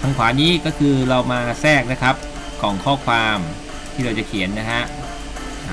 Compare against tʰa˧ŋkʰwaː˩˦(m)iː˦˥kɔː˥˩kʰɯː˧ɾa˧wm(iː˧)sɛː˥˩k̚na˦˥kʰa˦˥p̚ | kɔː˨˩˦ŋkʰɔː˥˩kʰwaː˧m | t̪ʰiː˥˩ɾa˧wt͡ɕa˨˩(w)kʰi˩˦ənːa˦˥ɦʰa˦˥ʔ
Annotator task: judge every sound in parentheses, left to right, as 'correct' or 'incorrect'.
incorrect: n, incorrect: aː˧, incorrect: none

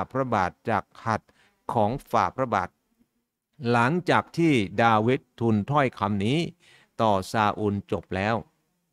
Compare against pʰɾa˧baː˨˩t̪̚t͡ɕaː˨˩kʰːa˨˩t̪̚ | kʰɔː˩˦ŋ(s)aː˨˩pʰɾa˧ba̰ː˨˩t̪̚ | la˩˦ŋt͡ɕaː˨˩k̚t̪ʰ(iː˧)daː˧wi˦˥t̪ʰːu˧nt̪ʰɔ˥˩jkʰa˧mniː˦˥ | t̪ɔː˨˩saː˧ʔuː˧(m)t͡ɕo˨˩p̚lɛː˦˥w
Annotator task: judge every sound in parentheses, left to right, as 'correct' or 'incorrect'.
incorrect: f, incorrect: iː˥˩, incorrect: n

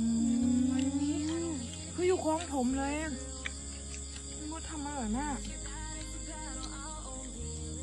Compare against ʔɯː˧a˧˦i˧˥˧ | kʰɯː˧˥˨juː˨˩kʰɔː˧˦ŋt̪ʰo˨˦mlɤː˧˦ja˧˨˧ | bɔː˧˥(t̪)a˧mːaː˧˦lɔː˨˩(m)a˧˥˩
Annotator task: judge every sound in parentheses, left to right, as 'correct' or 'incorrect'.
incorrect: t̪ʰ, incorrect: n

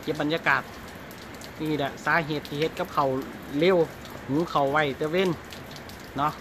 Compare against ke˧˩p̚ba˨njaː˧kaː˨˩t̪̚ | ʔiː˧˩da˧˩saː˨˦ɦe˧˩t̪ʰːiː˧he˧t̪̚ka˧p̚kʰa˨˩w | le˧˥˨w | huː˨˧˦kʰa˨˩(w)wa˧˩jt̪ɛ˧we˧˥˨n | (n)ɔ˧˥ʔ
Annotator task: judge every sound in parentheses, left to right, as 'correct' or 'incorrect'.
correct, correct

